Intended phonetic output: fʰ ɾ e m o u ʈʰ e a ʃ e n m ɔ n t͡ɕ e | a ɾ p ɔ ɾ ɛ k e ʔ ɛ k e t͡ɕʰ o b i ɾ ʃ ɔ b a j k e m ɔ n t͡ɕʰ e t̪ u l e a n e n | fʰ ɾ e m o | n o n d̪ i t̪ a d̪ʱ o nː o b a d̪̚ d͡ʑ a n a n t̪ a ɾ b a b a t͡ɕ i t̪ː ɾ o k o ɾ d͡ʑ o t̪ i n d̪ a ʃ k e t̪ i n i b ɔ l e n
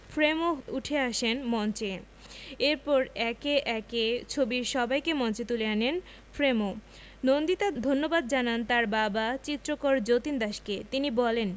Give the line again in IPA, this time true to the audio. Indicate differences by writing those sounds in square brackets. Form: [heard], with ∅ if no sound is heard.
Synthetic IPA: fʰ ɾ e m o u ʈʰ e a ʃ e n m ɔ n t͡ɕ e | [e] ɾ p ɔ ɾ ɛ k e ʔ ɛ k e t͡ɕʰ o b i ɾ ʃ ɔ b a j k e m ɔ n [t͡ɕ] e t̪ u l e a n e n | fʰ ɾ e m o | n o n d̪ i t̪ a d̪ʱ o nː o b a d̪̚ d͡ʑ a n a n t̪ a ɾ b a b a t͡ɕ i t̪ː ɾ o k o ɾ d͡ʑ o t̪ i n d̪ a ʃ k e t̪ i n i b ɔ l e n